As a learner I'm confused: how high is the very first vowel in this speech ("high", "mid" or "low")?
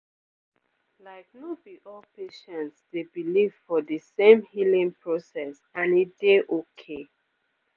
low